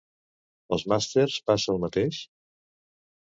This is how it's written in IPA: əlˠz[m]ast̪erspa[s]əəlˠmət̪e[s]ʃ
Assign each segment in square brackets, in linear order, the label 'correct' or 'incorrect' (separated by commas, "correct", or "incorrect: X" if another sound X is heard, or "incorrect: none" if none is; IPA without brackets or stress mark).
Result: correct, correct, incorrect: none